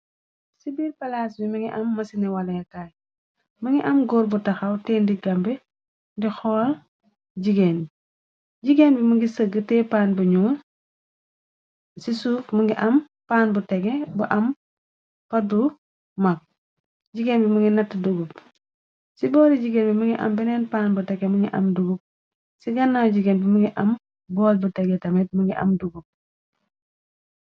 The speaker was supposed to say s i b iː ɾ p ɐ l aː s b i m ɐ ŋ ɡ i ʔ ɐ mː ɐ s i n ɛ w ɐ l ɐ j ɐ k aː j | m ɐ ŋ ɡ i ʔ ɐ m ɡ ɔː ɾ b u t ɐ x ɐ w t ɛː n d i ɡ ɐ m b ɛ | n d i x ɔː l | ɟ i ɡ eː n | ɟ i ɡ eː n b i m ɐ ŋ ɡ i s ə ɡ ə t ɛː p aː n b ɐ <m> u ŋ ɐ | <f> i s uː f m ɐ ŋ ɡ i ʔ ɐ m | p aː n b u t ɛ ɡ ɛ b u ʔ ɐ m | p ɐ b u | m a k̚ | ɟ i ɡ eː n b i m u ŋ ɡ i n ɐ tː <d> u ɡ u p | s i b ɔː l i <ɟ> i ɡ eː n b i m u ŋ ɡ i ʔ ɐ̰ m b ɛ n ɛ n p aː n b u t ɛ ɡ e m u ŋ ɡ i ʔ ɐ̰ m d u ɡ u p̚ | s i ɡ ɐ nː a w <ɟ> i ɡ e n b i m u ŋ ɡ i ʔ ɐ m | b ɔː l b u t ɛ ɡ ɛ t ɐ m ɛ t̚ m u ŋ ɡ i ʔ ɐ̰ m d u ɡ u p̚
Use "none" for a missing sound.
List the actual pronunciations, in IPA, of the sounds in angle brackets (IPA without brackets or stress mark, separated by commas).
ɲ, s, d, ɟ, ɟ